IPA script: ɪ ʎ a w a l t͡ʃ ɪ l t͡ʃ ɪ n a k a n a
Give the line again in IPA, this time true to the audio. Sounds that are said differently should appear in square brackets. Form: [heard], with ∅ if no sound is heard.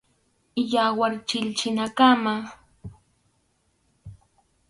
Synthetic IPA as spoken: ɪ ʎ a w a [ɾ] t͡ʃ ɪ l t͡ʃ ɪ n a k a [m] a